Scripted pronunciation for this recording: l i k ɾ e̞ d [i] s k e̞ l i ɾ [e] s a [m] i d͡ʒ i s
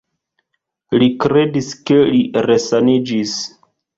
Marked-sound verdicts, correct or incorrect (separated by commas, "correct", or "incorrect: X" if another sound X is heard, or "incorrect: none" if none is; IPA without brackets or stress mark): correct, correct, incorrect: n